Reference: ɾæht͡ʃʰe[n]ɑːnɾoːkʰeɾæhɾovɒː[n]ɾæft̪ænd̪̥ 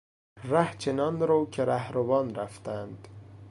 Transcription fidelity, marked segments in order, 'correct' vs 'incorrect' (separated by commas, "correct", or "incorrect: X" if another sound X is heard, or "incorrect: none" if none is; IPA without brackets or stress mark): correct, correct